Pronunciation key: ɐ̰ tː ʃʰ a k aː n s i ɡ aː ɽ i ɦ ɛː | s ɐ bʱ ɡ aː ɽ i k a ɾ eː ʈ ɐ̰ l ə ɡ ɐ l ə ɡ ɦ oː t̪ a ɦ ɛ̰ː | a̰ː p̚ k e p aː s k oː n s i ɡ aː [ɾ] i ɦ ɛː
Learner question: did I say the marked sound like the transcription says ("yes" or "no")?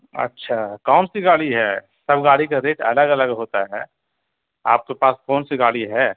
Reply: no